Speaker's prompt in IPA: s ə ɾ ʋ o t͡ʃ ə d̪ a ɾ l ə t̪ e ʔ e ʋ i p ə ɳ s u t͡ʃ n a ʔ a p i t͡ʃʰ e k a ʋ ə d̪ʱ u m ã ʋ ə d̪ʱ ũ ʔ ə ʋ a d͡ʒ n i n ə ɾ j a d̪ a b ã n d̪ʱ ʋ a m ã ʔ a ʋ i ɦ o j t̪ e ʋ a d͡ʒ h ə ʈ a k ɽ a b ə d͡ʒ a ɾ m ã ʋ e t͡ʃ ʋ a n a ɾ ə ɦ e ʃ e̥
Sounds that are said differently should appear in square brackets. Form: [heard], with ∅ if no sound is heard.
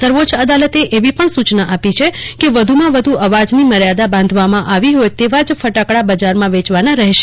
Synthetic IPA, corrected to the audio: s ə ɾ ʋ o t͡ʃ ə d̪ a [∅] l ə t̪ e ʔ e ʋ i p ə ɳ s u t͡ʃ n a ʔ a p i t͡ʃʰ e k [e] ʋ ə d̪ʱ u m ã ʋ ə d̪ʱ [u] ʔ ə ʋ a d͡ʒ n i [m] ə ɾ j a d̪ a b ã n d̪ʱ ʋ a m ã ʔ a ʋ i ɦ o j t̪ e ʋ a d͡ʒ [f] ə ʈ a k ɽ a b ə d͡ʒ a ɾ m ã ʋ e t͡ʃ ʋ a n a ɾ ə ɦ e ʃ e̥